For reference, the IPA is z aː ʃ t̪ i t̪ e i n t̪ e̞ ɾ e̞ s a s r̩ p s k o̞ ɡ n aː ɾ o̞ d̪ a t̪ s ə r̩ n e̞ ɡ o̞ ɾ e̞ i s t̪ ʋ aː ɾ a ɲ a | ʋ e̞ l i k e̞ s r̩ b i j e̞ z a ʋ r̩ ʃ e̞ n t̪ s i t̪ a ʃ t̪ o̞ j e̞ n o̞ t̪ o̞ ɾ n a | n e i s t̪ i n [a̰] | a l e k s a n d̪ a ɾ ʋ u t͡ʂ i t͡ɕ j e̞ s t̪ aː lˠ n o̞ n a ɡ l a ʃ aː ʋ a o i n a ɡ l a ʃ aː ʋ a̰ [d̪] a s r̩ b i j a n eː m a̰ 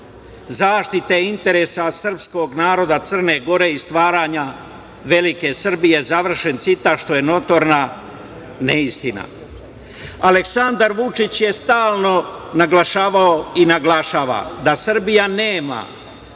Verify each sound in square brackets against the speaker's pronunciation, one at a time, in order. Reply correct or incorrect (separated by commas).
correct, correct